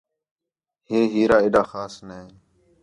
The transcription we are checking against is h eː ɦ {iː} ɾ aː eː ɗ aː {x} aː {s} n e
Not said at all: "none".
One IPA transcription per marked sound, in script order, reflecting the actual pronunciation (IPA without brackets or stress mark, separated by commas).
iː, x, s